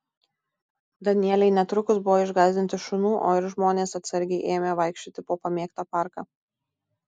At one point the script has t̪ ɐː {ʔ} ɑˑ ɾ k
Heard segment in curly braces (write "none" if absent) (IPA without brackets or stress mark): p